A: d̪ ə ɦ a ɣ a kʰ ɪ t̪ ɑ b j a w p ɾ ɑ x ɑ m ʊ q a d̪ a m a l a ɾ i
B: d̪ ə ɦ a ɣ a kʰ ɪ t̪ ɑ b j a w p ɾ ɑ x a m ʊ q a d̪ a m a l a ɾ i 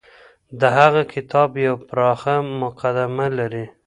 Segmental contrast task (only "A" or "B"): B